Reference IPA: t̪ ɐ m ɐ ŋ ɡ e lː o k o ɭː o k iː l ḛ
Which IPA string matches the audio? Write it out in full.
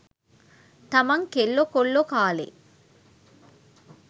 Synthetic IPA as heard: t̪ ɐ m ɐ ŋ k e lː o k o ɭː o k aː l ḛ